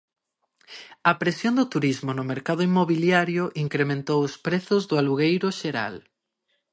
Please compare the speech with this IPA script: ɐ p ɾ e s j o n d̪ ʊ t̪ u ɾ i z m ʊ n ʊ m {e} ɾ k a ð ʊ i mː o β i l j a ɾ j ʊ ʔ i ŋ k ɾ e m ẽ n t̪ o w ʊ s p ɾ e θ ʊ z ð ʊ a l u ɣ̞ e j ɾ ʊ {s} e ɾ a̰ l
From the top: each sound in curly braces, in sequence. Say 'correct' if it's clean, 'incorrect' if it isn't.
correct, incorrect: ʃ

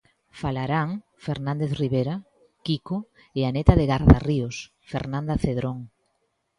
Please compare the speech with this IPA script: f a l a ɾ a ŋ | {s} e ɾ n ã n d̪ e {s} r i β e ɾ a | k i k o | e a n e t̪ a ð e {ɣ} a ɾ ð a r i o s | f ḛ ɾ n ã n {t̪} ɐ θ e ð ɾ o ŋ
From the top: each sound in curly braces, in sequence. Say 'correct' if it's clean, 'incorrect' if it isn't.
incorrect: f, incorrect: θ, correct, incorrect: d̪

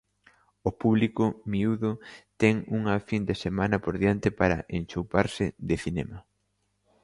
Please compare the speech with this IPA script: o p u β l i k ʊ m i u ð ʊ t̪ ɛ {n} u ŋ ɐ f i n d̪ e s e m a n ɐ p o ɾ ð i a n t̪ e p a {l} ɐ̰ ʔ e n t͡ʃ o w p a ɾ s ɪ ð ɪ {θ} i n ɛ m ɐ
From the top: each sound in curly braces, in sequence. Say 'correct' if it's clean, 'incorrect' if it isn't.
incorrect: ŋ, incorrect: ɾ, correct

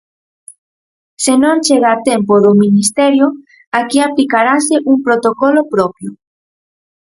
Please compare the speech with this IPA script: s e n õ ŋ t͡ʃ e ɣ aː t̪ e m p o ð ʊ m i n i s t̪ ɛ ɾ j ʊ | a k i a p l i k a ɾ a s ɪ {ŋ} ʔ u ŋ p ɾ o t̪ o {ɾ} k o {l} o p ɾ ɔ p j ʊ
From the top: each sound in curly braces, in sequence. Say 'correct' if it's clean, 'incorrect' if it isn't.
incorrect: none, incorrect: none, correct

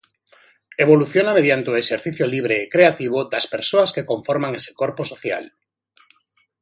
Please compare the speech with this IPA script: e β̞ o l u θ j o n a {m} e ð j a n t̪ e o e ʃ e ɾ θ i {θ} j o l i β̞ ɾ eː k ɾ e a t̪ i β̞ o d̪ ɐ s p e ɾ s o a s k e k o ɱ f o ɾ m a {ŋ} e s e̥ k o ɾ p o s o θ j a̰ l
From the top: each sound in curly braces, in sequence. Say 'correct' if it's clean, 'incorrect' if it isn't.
correct, correct, correct

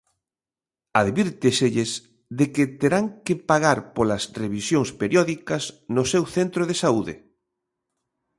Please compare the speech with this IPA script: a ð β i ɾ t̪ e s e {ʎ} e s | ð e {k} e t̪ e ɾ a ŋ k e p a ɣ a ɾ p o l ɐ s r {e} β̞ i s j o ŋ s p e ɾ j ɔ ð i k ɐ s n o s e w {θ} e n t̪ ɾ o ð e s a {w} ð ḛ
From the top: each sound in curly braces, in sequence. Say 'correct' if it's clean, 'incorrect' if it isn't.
correct, correct, correct, correct, incorrect: u

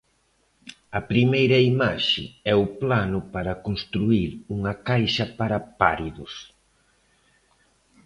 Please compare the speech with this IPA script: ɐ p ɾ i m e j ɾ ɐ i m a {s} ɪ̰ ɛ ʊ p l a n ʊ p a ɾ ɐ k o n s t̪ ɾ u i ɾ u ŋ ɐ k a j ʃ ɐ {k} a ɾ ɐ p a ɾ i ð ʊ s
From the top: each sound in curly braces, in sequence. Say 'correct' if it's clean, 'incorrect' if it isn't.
incorrect: ʃ, incorrect: p

